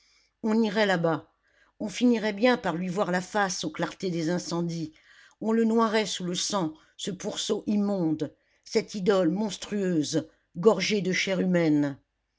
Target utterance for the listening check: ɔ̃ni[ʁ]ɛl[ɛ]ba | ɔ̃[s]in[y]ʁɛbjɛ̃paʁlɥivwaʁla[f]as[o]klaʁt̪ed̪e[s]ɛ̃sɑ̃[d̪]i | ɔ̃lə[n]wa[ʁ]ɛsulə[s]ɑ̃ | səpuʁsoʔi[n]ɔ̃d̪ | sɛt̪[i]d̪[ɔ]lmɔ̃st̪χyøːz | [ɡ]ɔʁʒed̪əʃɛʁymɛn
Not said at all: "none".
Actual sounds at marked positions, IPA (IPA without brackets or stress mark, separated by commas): ʁ, a, f, i, f, o, z, d̪, n, ʁ, s, m, i, ɔ, ɡ